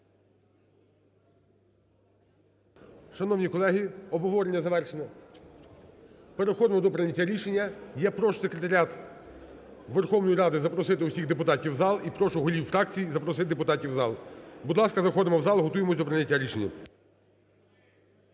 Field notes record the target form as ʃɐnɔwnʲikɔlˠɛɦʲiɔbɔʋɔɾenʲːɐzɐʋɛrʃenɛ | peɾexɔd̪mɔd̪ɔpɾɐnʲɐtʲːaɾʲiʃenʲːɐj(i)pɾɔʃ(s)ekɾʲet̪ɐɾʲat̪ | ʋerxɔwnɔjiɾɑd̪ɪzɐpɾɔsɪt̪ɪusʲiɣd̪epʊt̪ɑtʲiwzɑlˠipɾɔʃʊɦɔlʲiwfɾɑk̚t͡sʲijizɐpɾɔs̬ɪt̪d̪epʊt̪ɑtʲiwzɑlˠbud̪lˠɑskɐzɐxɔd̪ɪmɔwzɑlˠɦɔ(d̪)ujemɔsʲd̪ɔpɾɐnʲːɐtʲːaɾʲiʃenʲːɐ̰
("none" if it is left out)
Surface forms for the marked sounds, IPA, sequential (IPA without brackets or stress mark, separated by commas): ɛ, s, t̪